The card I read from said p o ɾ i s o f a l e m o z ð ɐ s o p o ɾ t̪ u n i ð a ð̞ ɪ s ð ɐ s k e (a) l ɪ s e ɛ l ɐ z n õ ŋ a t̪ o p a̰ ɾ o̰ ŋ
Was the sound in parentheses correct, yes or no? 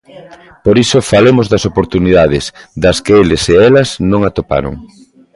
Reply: no